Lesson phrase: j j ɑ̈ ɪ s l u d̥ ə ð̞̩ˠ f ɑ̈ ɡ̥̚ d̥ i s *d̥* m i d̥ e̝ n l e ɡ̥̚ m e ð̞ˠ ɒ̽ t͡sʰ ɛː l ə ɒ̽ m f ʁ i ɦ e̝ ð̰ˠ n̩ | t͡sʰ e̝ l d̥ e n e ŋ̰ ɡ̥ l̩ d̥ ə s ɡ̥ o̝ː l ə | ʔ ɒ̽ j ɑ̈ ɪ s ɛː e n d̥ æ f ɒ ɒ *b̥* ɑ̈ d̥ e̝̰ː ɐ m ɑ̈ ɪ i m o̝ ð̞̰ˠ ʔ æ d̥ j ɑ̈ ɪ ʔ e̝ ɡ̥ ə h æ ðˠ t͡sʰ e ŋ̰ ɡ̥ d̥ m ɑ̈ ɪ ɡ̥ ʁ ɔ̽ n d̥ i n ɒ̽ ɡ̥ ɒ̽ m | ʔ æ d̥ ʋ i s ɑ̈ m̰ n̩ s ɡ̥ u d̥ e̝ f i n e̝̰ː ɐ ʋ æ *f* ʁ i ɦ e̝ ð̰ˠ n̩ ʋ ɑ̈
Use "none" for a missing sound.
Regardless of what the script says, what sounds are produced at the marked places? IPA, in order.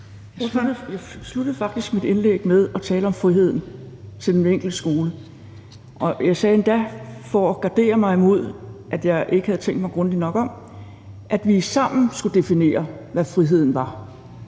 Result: ɡ̥, ɡ̥, f

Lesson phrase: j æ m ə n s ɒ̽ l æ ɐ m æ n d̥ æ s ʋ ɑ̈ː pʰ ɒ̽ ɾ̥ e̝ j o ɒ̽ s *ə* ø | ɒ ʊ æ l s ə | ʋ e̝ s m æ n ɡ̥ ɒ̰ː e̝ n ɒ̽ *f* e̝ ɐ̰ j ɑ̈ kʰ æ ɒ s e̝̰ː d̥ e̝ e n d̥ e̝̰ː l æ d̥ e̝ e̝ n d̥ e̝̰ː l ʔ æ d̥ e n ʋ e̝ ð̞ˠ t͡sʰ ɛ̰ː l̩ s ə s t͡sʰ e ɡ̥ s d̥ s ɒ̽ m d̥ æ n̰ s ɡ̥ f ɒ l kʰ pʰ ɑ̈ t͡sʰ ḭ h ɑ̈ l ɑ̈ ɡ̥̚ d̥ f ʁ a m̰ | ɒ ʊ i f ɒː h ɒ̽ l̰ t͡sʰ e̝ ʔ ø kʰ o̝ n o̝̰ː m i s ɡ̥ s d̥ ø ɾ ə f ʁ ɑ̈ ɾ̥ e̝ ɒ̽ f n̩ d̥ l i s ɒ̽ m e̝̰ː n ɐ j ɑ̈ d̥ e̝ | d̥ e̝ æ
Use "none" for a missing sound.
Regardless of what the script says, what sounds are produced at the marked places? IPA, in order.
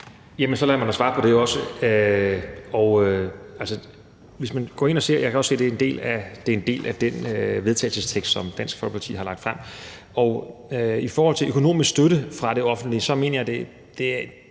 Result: ə, s

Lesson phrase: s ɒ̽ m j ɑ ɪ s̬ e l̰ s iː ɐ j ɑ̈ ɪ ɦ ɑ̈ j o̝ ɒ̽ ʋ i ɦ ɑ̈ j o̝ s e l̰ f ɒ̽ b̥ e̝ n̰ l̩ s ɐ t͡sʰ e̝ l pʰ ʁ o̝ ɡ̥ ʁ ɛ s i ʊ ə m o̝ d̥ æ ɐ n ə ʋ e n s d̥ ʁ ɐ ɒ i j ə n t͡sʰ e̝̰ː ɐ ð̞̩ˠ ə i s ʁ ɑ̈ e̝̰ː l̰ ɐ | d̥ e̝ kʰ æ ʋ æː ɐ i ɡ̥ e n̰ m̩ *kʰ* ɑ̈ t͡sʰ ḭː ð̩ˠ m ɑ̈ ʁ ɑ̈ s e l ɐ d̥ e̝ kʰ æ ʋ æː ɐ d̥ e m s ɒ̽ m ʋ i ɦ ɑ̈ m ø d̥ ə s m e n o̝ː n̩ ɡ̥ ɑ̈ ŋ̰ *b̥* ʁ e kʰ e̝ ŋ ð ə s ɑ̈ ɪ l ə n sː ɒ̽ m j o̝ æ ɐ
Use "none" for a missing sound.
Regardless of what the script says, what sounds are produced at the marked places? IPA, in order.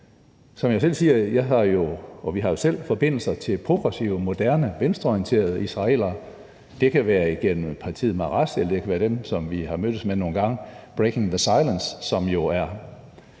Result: pʰ, b̥

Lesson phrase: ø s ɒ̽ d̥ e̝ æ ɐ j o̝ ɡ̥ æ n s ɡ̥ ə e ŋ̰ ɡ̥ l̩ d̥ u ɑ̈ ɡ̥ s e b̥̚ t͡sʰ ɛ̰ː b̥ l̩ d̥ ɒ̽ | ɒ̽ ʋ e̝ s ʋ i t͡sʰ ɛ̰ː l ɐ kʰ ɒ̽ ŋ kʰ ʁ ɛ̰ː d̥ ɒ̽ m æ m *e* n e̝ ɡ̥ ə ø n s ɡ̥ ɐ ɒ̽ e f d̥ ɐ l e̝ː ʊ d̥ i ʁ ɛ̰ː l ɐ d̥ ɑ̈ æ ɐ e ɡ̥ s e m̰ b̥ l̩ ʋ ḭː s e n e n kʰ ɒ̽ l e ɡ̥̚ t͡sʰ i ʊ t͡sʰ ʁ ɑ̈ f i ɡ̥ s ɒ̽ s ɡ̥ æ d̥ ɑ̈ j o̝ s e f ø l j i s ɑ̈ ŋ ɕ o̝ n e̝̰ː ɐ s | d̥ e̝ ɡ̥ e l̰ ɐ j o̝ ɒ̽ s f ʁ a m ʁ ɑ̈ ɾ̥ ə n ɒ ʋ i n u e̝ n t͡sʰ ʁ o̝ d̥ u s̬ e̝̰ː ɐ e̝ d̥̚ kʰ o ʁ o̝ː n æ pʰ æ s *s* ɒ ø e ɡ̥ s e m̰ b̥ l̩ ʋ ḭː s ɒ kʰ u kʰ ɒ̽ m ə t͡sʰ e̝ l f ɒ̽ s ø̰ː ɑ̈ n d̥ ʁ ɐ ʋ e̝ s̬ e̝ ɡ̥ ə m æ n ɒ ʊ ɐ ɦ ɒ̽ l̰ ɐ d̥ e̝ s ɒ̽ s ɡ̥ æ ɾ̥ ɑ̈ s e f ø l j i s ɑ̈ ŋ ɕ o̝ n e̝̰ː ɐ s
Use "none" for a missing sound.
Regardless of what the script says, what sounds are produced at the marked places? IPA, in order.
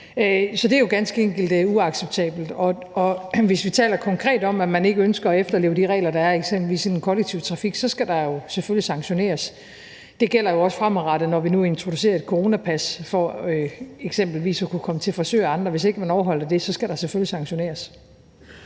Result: æ, f

